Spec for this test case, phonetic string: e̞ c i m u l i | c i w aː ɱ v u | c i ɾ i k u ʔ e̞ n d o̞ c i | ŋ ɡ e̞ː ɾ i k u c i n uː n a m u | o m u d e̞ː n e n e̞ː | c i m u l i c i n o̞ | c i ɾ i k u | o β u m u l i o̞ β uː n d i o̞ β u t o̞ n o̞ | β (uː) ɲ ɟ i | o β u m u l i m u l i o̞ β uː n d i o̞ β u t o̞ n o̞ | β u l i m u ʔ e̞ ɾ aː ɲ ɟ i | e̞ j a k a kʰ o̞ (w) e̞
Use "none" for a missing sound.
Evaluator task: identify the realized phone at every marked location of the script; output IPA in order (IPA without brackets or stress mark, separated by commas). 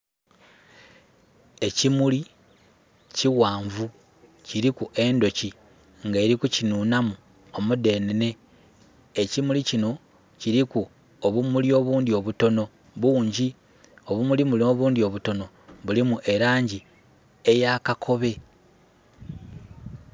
uː, β